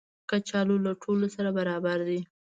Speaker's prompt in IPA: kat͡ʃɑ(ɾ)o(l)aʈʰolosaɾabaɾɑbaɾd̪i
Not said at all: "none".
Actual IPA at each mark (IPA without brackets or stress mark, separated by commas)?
l, l